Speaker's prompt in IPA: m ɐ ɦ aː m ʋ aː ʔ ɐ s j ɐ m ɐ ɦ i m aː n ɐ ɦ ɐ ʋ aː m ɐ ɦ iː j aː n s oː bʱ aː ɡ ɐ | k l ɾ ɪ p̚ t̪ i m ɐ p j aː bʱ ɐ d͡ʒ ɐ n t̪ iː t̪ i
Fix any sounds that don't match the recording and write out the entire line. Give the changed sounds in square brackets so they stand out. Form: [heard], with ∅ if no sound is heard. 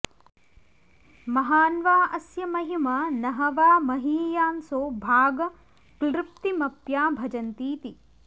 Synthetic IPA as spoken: m ɐ ɦ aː [n] ʋ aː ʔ ɐ s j ɐ m ɐ ɦ i m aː n ɐ ɦ ɐ ʋ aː m ɐ ɦ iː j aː n s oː bʱ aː ɡ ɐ | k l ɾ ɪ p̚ t̪ i m ɐ p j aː bʱ ɐ d͡ʒ ɐ n t̪ iː t̪ i